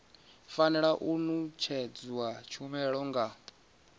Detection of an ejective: absent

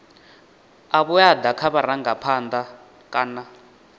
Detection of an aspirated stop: present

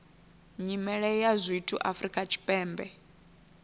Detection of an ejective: present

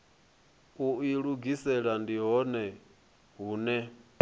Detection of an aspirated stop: absent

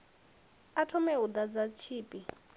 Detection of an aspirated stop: present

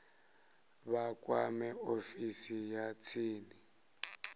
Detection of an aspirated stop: present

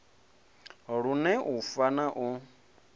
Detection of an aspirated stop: absent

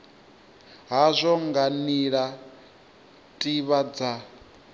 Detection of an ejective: present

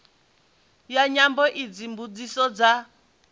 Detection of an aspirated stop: absent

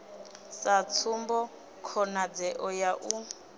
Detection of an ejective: absent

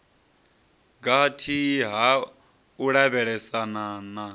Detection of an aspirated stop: present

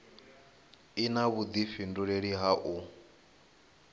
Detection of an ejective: absent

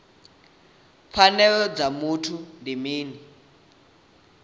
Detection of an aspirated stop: present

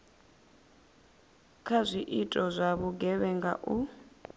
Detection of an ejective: present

